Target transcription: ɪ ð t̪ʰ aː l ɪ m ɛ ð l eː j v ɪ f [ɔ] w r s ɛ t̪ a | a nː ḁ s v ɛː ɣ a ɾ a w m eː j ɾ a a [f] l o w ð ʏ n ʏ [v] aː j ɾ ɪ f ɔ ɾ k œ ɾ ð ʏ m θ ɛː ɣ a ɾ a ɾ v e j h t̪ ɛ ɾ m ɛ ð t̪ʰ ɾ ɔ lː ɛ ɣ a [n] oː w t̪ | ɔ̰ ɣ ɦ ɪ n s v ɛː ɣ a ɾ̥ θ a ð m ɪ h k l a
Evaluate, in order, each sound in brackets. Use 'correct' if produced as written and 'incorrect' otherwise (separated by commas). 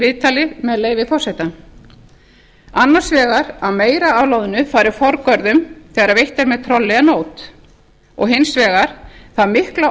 correct, incorrect, incorrect, correct